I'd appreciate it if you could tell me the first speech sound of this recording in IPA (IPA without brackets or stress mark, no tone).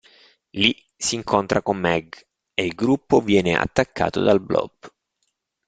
l